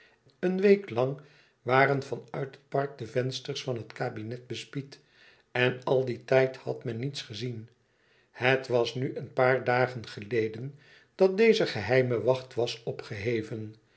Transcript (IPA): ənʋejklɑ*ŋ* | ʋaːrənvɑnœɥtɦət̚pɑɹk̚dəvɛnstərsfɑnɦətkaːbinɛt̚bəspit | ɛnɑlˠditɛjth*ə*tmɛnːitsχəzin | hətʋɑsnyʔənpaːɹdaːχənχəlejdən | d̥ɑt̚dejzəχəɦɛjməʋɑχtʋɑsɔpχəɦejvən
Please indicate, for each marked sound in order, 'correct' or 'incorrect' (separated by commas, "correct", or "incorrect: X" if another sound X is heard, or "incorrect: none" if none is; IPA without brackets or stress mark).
correct, incorrect: ɑ